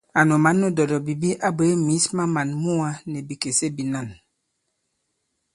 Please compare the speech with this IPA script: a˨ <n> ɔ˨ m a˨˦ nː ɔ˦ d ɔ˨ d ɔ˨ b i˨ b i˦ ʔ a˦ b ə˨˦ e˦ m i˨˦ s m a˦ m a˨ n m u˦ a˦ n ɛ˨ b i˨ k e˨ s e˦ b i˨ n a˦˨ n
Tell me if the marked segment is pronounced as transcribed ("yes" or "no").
yes